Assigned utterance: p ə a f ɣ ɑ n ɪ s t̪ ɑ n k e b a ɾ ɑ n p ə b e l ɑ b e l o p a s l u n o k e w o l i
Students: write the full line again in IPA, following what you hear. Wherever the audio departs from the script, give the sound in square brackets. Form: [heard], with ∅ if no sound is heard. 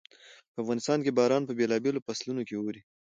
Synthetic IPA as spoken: p ə a f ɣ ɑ n ɪ s t̪ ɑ n k e b [ɑ] ɾ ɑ n p ə b e l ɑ b e l o p a s l u n o k e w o [ɾ] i